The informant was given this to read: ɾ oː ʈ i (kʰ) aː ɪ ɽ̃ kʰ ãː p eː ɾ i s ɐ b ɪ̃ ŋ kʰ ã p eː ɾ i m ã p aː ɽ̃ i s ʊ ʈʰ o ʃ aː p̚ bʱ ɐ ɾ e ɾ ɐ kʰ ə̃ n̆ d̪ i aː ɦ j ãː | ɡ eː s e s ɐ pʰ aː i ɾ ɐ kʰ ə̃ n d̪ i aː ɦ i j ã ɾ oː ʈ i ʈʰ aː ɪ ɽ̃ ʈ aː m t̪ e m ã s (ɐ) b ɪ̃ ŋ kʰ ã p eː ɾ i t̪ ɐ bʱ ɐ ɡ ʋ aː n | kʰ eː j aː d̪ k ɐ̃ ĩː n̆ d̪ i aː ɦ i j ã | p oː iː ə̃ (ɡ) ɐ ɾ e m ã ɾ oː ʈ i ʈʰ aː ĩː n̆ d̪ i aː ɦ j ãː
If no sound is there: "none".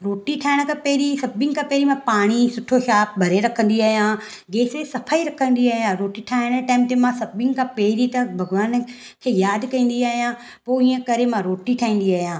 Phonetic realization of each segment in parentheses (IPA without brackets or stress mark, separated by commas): ʈʰ, ɐ, k